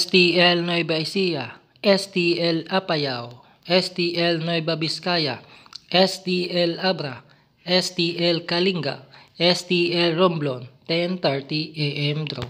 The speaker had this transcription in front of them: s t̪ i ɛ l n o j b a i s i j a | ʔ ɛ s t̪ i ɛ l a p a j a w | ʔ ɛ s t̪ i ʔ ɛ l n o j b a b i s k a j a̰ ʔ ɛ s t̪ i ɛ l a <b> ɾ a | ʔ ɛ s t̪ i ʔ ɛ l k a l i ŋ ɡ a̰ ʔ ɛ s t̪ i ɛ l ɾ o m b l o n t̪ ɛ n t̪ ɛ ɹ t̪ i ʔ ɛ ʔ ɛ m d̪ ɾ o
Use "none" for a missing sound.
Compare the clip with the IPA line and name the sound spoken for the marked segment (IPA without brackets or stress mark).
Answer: b